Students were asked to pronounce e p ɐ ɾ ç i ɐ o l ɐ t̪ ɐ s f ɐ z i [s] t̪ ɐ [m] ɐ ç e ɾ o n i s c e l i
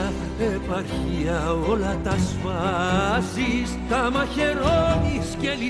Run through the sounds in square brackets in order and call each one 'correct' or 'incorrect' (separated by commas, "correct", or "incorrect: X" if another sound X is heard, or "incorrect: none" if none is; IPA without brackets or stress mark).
correct, correct